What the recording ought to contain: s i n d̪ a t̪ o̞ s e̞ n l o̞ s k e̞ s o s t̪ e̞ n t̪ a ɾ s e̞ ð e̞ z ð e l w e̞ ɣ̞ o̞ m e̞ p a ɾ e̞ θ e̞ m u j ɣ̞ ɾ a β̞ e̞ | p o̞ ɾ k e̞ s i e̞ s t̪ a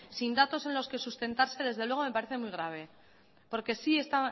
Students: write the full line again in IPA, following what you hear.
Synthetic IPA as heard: s i n d̪ a t̪ o̞ s e̞ n l o̞ s k e̞ s u s t̪ e̞ n t̪ a ɾ s e̞ ð e̞ z ð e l w e̞ ɣ̞ o̞ m e̞ p a ɾ e̞ θ e̞ m u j ɣ̞ ɾ a β̞ e̞ | p o̞ ɾ k e̞ s i e̞ s t̪ a